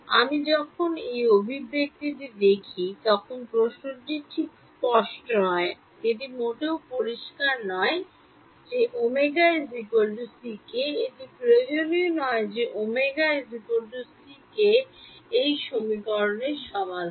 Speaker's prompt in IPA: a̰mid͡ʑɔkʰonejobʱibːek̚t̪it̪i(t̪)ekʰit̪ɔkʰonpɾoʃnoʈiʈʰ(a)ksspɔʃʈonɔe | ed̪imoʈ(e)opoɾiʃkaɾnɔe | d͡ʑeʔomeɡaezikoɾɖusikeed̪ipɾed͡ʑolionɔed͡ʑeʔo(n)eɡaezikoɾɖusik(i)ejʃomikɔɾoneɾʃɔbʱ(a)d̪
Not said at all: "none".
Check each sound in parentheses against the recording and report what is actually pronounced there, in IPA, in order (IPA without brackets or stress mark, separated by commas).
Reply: d̪, i, e, m, e, a